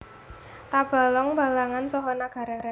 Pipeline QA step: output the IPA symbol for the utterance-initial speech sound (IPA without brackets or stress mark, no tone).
t̪